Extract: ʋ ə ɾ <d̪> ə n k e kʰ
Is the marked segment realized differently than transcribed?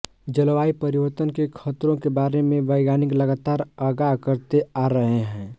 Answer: yes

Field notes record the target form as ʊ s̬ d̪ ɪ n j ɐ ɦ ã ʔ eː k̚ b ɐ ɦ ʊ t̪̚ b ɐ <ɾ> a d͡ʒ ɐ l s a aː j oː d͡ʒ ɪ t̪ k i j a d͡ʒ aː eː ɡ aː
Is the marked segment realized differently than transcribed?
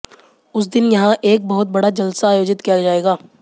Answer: yes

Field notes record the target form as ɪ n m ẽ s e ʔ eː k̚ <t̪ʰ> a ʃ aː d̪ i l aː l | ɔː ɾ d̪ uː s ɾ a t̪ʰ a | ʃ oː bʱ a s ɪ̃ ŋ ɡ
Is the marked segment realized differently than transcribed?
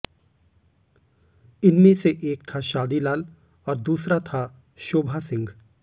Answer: no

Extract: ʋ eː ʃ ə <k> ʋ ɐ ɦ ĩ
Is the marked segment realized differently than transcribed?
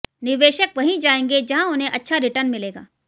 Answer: no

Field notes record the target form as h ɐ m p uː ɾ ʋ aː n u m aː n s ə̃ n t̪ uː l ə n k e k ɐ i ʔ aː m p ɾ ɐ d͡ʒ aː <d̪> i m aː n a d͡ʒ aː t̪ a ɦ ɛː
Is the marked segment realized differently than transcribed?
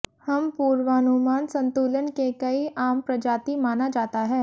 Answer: yes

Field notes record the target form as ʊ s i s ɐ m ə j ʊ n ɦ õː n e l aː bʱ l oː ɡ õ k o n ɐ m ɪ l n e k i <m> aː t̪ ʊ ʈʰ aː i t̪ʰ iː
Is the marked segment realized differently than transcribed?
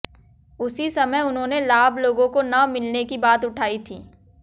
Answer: yes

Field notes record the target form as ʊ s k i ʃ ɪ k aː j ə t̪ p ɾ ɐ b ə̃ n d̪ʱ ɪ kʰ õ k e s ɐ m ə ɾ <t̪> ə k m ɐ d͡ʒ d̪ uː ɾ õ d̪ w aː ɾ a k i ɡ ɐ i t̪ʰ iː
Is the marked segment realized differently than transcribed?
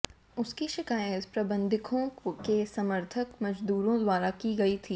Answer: yes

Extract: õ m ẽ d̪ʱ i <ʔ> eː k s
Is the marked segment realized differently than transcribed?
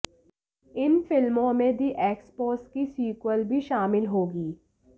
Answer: no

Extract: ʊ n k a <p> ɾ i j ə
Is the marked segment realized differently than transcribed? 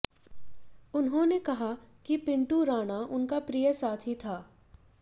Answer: no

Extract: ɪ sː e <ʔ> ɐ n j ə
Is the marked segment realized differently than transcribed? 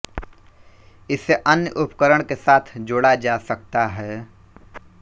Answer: no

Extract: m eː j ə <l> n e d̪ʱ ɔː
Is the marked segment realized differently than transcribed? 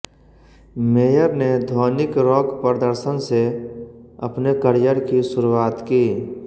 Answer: yes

